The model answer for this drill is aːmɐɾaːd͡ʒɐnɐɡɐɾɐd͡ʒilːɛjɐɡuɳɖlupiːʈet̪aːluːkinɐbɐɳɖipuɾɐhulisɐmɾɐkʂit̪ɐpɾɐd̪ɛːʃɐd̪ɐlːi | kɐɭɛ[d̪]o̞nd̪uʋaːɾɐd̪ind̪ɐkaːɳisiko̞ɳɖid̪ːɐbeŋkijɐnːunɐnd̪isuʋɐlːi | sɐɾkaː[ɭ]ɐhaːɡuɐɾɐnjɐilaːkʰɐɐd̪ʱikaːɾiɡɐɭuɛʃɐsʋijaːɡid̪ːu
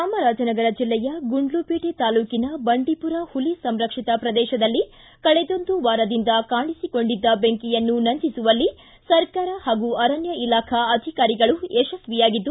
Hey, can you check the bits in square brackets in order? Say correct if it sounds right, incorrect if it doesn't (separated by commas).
correct, incorrect